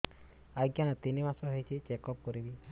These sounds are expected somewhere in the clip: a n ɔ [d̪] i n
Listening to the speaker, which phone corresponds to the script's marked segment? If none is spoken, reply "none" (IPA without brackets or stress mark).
t̪